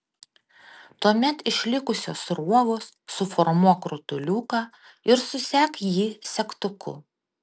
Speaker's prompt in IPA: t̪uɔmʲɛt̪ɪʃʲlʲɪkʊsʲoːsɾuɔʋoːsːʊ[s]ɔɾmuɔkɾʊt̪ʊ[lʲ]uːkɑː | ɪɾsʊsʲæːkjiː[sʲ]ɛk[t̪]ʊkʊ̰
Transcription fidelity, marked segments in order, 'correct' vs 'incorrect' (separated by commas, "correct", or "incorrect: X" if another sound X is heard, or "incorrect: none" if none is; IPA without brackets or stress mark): incorrect: f, correct, correct, correct